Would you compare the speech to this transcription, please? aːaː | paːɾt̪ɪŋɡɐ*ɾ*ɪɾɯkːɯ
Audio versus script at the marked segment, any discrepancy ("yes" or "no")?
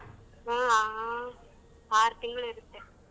yes